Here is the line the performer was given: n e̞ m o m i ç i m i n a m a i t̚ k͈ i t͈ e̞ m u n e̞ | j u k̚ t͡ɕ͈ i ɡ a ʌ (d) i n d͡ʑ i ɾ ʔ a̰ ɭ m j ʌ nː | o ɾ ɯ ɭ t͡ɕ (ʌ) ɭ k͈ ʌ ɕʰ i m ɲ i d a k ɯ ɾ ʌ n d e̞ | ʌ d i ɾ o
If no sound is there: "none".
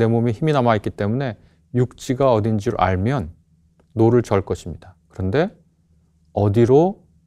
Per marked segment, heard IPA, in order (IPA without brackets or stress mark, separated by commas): d, ʌ